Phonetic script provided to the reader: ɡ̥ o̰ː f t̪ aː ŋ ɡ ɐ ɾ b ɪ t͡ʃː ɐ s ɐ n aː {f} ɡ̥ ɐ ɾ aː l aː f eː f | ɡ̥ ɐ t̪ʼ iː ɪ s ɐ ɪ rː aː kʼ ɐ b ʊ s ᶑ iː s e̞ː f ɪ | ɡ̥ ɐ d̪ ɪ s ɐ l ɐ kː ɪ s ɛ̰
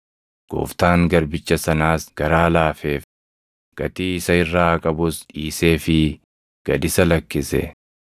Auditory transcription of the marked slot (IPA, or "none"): s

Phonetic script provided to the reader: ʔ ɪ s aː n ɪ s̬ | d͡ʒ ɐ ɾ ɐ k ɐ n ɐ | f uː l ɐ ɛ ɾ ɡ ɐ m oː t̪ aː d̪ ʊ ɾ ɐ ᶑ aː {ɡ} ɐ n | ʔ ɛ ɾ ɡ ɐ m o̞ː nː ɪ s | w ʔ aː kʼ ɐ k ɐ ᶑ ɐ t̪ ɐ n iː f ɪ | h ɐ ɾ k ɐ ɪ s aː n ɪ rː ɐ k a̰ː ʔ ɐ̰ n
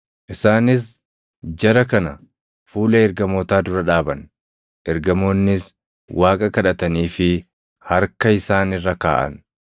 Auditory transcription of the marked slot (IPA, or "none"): b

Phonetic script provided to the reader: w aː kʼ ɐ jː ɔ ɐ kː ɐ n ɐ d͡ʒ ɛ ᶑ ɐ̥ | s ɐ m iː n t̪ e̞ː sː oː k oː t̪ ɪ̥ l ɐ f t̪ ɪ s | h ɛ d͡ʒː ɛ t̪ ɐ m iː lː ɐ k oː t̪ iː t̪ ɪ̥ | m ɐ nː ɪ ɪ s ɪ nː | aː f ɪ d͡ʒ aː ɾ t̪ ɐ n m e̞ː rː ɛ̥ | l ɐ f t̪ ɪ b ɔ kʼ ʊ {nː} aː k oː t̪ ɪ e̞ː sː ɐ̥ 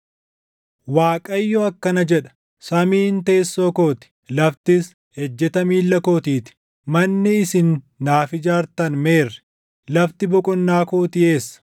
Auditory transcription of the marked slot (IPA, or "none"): nː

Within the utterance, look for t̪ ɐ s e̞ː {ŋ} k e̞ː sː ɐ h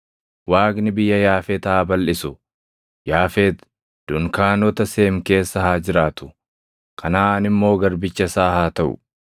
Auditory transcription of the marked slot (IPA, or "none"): m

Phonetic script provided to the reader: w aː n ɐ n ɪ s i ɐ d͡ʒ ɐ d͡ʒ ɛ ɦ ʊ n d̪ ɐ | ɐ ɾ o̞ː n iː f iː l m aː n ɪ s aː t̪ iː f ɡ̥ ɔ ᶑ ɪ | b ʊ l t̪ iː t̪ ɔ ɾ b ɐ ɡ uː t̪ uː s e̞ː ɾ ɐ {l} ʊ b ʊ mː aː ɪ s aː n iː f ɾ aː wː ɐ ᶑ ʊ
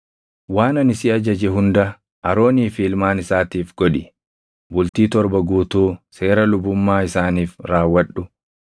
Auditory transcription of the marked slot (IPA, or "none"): l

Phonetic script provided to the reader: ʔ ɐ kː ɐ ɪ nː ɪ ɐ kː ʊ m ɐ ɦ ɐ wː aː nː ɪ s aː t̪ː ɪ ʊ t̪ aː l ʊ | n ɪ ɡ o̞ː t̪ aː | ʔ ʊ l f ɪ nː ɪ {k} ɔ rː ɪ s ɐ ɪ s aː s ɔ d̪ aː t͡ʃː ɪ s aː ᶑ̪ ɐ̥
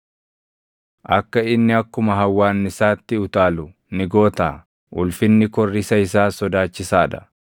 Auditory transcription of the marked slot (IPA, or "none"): k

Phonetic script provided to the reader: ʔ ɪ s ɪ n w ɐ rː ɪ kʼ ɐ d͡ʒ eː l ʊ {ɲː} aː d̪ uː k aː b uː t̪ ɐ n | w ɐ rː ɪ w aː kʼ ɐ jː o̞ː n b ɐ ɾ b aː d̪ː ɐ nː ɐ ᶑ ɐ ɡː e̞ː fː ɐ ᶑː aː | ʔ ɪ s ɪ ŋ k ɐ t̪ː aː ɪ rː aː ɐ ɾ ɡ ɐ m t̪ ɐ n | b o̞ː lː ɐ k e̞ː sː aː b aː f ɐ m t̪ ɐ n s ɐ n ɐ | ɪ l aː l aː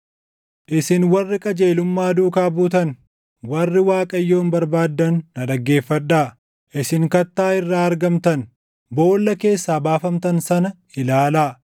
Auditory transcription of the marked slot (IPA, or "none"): mː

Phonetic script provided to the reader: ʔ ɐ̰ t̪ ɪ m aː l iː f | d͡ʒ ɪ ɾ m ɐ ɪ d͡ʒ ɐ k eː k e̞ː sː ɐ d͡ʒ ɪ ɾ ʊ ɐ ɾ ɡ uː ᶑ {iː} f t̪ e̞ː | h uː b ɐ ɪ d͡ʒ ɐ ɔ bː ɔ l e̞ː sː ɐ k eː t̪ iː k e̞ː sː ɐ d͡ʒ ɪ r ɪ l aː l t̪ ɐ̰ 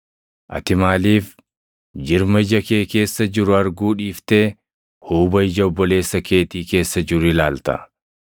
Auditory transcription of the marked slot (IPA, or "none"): iː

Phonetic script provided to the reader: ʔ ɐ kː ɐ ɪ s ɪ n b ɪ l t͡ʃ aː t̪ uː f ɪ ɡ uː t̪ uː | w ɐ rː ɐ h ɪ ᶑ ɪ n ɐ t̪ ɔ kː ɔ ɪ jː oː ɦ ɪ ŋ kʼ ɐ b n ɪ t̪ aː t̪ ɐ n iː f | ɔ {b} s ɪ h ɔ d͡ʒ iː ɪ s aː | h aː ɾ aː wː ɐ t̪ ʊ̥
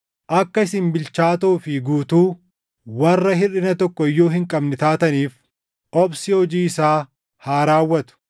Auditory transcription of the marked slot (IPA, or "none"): b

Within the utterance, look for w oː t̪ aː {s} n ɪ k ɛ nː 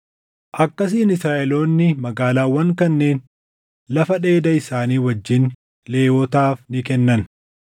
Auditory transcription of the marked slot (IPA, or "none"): f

